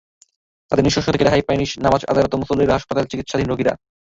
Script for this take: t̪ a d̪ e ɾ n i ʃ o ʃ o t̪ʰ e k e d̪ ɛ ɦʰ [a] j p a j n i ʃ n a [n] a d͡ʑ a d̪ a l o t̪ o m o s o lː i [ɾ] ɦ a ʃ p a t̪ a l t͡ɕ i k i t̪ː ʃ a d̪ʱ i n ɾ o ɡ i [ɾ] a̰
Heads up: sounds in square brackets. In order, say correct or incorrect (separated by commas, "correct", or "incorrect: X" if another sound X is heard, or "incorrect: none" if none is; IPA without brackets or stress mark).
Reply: correct, incorrect: m, correct, correct